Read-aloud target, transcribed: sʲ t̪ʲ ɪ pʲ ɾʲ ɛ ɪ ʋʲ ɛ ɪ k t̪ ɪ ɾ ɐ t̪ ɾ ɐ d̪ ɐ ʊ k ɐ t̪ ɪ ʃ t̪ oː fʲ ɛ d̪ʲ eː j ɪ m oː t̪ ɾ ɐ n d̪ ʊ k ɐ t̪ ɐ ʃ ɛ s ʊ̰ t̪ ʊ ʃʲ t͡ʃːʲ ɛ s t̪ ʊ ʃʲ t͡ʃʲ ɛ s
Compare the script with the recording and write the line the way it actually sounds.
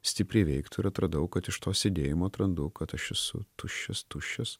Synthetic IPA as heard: sʲ t̪ʲ ɪ pʲ ɾʲ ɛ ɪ ʋʲ ɛ ɪ k t̪ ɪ ɾ ɐ t̪ ɾ ɐ d̪ ɐ ʊ k ɐ t̪ ɪ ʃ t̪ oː sʲ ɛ d̪ʲ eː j ɪ m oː t̪ ɾ ɐ n d̪ ʊ k ɐ t̪ ɐ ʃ ɛ s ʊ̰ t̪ ʊ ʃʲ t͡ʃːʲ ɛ s t̪ ʊ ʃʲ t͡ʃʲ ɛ s